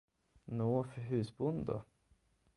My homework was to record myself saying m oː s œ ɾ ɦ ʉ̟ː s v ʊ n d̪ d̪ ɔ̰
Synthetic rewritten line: n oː f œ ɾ ɦ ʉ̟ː s b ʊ n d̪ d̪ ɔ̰